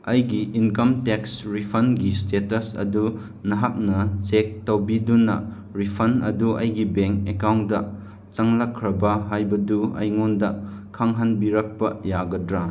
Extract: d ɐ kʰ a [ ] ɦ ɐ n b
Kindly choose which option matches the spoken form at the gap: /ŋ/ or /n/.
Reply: ŋ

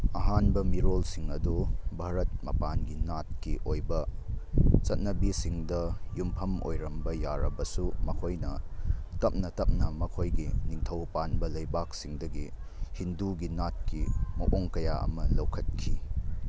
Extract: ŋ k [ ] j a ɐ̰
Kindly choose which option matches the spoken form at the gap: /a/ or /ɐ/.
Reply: ɐ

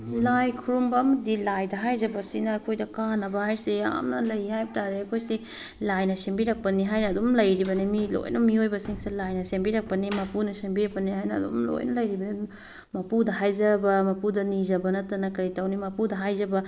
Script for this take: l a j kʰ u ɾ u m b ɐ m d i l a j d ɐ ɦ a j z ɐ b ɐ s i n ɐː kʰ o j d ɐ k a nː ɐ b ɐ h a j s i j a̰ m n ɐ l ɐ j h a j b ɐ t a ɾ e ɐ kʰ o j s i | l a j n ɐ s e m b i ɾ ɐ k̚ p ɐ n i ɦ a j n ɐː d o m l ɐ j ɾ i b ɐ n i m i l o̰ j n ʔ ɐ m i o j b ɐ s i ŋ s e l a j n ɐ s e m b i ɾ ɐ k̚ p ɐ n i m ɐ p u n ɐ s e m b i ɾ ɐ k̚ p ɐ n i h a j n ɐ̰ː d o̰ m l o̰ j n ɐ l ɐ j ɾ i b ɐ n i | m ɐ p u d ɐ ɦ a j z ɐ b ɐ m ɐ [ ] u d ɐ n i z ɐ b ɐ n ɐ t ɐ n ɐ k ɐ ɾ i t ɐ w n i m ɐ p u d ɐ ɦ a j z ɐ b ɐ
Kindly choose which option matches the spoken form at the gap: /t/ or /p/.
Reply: p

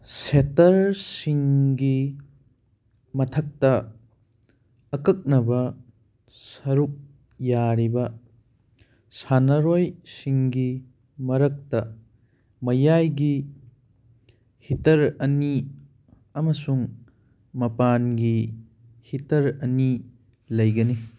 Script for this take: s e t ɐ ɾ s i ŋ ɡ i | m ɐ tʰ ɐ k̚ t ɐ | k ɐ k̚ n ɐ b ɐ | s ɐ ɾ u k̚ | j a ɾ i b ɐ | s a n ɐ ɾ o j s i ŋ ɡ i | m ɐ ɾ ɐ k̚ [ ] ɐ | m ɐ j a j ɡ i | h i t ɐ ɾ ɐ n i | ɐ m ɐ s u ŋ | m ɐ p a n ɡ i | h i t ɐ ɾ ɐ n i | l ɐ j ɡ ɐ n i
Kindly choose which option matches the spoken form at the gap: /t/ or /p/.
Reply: t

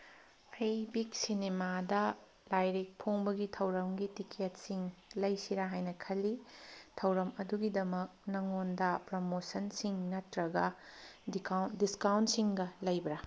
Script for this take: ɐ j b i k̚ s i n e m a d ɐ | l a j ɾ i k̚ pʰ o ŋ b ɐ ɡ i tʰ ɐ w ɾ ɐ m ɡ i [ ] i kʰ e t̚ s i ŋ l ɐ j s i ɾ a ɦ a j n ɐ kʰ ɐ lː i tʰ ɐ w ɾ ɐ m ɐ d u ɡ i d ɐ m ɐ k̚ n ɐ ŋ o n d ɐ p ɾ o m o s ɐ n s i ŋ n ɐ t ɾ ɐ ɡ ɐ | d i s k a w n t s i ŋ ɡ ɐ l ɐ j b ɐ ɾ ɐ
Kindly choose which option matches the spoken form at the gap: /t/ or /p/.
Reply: t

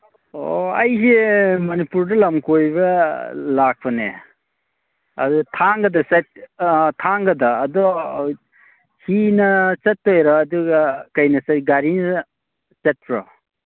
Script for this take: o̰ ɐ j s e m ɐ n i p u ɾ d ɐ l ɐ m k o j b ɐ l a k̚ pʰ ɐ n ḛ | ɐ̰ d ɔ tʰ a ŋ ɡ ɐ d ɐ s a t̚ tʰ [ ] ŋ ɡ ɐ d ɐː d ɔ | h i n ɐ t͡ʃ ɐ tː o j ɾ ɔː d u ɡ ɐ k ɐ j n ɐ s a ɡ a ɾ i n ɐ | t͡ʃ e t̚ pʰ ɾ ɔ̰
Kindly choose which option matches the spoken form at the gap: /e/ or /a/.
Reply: a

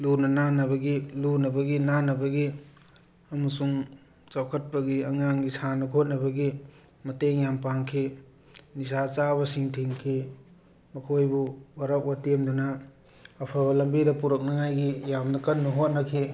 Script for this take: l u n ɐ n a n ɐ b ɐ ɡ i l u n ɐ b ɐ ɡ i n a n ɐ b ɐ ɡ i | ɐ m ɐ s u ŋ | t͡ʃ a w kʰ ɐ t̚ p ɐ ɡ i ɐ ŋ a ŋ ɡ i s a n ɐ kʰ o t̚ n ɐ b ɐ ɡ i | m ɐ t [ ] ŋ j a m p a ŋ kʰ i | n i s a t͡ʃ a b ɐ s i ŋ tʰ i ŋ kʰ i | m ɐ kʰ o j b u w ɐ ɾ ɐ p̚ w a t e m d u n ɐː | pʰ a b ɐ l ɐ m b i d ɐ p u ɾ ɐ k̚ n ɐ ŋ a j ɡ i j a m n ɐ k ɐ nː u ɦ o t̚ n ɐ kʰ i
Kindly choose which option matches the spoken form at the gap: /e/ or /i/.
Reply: e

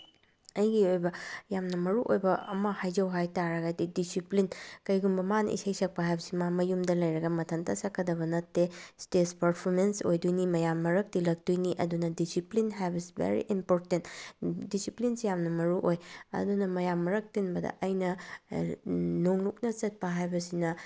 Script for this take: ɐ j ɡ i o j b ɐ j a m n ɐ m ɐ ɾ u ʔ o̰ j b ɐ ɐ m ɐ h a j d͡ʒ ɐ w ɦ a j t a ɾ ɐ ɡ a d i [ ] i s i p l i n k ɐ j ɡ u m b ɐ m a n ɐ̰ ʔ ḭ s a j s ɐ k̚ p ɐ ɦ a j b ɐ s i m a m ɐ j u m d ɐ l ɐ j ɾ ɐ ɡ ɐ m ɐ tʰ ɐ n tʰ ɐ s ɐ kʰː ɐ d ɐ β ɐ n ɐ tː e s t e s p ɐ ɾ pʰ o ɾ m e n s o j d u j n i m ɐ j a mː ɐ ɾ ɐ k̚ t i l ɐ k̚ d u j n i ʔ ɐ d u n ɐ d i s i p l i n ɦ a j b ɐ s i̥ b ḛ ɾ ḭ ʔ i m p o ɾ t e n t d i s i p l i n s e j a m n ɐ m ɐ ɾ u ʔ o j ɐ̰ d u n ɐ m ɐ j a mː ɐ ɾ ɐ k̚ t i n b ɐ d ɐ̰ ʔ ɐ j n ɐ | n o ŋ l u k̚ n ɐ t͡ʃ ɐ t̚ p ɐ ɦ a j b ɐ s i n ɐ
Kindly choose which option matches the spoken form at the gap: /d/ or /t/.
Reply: d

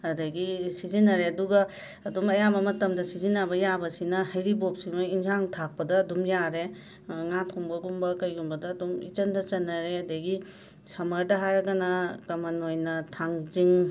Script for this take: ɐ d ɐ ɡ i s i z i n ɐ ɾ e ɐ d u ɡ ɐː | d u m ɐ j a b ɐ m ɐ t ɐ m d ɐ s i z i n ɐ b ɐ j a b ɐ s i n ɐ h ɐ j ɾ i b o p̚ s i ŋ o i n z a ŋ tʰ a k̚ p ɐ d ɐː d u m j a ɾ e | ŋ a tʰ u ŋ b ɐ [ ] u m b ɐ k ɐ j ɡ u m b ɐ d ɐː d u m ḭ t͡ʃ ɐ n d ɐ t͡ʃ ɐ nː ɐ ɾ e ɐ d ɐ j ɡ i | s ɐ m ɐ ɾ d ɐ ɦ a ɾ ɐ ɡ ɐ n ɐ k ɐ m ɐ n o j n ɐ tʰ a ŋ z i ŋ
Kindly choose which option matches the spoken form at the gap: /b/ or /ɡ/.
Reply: ɡ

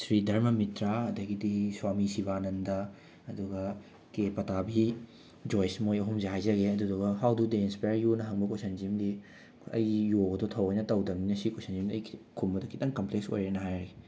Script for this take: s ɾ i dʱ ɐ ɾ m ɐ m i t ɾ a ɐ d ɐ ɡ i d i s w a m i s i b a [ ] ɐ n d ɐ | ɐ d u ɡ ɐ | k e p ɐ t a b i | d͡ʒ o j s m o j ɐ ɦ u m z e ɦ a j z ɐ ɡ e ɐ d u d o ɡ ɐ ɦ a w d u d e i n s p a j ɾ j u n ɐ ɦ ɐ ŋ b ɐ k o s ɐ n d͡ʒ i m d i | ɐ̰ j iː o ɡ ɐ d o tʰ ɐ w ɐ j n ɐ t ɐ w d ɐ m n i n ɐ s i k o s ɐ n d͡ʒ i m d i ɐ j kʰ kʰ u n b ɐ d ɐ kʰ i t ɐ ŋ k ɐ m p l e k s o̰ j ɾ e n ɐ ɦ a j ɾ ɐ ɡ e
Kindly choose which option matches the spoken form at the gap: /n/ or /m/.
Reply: n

